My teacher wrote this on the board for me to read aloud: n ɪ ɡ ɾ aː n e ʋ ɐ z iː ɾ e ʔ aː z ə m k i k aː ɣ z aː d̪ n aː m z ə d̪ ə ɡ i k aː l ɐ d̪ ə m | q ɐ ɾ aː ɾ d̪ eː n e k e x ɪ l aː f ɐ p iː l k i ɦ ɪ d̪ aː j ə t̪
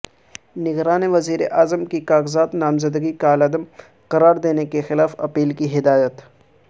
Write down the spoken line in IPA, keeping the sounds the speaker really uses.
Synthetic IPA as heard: n ɪ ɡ ɾ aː n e ʋ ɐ z iː ɾ e ʔ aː z ə m k i k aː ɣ z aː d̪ n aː m z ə d̪ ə ɡ i k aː l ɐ d̪ ə m | q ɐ ɾ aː ɾ d̪ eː n e k e x ɪ l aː f ɐ p iː l k i ɦ ɪ d̪ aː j ə t̪